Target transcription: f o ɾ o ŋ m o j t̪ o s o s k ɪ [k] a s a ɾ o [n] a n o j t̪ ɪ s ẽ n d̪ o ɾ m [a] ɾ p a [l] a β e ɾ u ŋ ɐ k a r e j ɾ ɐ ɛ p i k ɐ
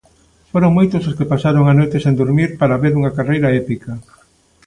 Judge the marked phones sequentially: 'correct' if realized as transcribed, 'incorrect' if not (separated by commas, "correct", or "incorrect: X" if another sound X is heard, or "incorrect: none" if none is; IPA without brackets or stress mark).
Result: incorrect: p, incorrect: ŋ, incorrect: i, incorrect: ɾ